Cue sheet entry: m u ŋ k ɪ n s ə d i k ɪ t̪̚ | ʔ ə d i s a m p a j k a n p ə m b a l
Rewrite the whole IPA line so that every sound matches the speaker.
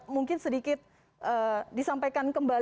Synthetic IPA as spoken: m u ŋ k ɪ n s ə d i k ɪ t̪̚ | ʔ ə d i s a m p a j k a n k ə m b a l